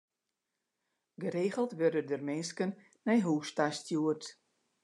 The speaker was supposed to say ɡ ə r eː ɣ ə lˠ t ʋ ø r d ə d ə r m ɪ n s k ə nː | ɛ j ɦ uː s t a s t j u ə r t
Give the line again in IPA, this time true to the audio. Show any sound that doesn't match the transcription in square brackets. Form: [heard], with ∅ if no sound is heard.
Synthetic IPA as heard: ɡ ə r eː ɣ ə lˠ t ʋ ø r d ə d ə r m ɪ n s k ə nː | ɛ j ɦ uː s t a s t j u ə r t